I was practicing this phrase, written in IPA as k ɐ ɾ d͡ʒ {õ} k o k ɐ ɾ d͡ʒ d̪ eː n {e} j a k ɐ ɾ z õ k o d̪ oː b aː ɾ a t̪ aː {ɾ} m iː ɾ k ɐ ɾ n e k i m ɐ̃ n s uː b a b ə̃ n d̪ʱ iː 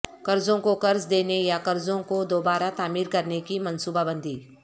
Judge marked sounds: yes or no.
yes, yes, no

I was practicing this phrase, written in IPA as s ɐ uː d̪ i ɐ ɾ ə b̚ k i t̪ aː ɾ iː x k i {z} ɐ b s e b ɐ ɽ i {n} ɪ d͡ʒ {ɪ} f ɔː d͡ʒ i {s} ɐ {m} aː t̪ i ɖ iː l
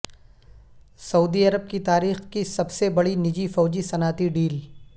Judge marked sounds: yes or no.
no, yes, no, yes, no

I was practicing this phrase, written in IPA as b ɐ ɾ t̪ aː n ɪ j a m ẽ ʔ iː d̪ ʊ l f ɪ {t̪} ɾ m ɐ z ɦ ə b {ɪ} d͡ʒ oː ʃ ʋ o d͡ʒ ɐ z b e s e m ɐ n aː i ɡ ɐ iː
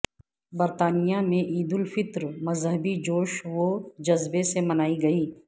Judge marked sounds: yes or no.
yes, no

